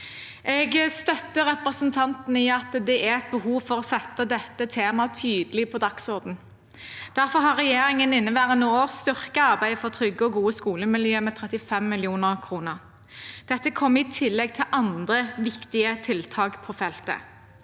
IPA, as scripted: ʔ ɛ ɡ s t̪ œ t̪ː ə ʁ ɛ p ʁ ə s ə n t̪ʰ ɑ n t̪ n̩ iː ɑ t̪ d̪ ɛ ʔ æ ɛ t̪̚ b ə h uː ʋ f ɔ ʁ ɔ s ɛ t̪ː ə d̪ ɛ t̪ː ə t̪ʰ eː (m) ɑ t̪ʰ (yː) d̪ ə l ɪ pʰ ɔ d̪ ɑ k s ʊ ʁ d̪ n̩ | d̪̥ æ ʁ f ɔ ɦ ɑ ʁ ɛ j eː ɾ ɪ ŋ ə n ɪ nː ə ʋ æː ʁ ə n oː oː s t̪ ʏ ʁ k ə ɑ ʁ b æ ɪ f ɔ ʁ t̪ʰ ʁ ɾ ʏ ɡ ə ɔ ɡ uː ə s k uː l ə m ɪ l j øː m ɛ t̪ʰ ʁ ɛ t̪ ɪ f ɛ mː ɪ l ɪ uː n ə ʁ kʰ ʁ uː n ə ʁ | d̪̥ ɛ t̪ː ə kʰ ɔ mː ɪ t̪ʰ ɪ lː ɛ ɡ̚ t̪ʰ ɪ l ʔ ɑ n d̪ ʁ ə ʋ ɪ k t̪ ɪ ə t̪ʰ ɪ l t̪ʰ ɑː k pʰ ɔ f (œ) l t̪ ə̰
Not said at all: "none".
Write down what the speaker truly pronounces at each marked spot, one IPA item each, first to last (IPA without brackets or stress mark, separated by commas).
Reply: m, yː, ɛ